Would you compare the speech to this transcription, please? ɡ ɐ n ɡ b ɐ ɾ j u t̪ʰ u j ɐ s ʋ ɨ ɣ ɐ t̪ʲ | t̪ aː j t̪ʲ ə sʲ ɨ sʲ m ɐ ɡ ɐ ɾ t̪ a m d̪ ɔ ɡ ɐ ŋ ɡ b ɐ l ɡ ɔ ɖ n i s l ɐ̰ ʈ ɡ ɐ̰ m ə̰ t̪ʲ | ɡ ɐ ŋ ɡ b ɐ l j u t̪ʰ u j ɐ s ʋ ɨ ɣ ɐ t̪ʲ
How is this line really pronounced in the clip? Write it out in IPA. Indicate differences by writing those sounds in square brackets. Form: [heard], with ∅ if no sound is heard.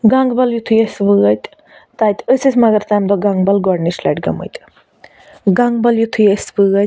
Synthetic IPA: ɡ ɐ [ŋ] ɡ b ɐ [l] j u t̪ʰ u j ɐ s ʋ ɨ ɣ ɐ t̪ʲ | t̪ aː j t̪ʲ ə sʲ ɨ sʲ m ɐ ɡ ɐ ɾ t̪ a m d̪ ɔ ɡ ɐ ŋ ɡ b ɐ l ɡ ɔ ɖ n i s l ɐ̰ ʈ ɡ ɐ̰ m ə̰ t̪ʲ | ɡ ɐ ŋ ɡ b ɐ l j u t̪ʰ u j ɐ s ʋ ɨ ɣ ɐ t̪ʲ